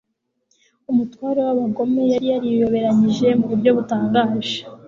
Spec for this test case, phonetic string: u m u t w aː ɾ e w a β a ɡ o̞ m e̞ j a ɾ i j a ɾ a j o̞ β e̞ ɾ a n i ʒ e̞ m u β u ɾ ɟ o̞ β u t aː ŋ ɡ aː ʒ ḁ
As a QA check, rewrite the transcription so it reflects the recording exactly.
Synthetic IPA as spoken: u m u t w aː ɾ e w a β a ɡ o̞ m e̞ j a ɾ i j a ɾ i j o̞ β e̞ ɾ a ɲ i ʒ e̞ m u β u ɾ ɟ o̞ β u t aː ŋ ɡ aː ʒ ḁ